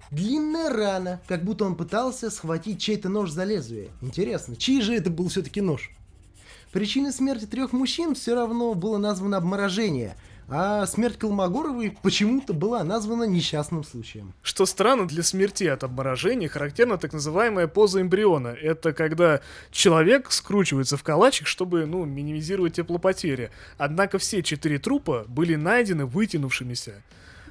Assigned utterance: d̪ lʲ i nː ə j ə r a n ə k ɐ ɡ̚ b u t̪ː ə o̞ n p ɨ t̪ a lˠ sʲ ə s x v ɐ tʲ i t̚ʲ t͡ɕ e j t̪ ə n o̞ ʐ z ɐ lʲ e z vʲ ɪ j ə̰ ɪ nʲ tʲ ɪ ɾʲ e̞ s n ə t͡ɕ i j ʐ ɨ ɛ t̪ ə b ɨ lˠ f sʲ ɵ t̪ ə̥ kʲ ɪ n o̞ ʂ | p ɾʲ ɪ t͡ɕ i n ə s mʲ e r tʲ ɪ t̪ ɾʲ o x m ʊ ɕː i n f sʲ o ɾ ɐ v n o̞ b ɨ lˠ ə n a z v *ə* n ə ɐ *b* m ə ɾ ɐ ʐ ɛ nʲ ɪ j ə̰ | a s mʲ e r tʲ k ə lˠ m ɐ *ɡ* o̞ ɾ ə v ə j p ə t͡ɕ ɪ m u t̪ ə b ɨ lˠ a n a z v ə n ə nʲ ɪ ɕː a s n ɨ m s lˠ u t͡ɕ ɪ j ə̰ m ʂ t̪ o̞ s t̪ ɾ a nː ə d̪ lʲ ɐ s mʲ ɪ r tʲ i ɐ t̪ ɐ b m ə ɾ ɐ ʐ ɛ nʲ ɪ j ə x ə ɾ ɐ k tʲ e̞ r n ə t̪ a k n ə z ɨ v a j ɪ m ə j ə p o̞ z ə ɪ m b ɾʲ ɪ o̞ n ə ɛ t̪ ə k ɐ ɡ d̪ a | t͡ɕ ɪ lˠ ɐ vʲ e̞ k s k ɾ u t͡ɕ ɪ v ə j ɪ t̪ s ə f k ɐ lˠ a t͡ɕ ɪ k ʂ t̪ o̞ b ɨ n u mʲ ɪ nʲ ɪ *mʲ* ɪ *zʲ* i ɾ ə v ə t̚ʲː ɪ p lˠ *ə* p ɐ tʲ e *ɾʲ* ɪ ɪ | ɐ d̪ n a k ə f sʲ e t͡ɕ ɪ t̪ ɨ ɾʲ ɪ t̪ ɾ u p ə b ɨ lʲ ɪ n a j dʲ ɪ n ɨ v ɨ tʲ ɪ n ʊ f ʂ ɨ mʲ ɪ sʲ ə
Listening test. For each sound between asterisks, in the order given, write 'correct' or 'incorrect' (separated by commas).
correct, correct, correct, correct, correct, correct, correct